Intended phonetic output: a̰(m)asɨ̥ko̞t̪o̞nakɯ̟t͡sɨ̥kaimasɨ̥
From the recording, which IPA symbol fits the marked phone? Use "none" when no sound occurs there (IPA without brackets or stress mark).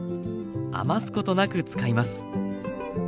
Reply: m